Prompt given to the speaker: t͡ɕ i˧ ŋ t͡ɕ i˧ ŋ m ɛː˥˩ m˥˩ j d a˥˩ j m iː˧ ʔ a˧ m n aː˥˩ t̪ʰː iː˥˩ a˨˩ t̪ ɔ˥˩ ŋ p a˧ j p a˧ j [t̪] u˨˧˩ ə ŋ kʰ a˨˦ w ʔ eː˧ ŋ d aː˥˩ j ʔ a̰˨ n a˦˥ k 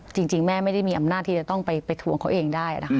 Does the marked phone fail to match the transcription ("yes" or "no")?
yes